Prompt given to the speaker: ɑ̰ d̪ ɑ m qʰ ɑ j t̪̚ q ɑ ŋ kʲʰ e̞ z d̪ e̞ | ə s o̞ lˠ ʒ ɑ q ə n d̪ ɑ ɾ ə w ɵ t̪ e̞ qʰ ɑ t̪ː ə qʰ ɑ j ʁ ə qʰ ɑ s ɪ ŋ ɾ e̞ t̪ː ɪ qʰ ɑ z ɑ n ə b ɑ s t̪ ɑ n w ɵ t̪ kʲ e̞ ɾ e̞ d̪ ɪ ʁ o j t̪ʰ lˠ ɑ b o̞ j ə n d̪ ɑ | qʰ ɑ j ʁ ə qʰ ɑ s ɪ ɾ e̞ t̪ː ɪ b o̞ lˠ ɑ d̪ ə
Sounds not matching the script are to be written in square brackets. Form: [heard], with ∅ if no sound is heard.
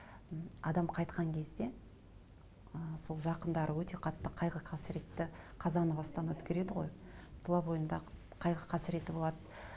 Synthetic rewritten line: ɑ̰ d̪ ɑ m qʰ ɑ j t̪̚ q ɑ ŋ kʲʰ e̞ z d̪ e̞ | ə s o̞ lˠ ʒ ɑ q ə n d̪ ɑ ɾ ə w ɵ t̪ e̞ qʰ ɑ t̪ː ə qʰ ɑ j ʁ ə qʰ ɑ s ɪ [∅] ɾ e̞ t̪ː ɪ qʰ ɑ z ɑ n ə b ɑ s t̪ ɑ n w ɵ t̪ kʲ e̞ ɾ e̞ d̪ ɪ ʁ o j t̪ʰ lˠ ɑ b o̞ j ə n d̪ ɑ | qʰ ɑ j ʁ ə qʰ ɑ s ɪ ɾ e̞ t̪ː ɪ b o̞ lˠ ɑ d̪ ə